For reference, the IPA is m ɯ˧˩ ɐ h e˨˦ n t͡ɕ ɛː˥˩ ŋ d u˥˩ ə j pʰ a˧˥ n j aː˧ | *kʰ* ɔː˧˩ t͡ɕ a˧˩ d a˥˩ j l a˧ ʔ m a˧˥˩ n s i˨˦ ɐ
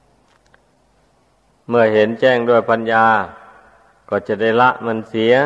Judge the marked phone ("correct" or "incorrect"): incorrect